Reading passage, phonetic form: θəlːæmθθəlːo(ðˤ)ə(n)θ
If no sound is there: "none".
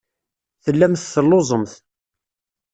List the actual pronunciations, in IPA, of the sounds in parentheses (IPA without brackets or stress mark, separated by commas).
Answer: zˤ, m